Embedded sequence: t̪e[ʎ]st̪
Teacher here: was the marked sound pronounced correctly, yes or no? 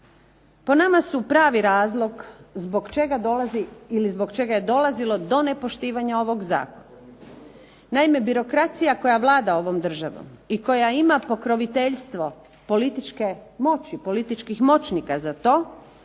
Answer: yes